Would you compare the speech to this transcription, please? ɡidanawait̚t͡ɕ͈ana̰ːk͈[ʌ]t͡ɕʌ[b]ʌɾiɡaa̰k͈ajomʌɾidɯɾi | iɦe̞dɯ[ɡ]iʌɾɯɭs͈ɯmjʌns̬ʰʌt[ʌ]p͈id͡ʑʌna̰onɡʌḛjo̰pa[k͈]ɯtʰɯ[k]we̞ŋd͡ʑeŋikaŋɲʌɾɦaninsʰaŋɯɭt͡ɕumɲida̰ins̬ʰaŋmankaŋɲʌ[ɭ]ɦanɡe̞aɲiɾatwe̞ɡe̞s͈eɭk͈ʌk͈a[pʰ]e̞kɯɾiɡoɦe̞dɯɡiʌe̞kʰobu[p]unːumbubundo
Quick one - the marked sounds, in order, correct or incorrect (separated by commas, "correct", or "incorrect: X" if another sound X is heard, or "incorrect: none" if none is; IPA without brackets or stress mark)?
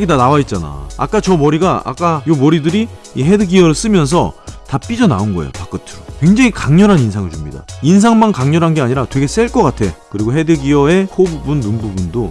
incorrect: a, incorrect: m, correct, incorrect: a, correct, correct, incorrect: ɾ, incorrect: tʰ, incorrect: b